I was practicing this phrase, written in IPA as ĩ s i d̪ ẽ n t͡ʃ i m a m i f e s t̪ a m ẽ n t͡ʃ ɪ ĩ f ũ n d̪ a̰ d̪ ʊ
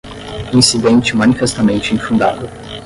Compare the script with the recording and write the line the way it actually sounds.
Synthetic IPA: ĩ s i d̪ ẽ n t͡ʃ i m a n i f e s t̪ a m ẽ n t͡ʃ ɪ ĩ f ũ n d̪ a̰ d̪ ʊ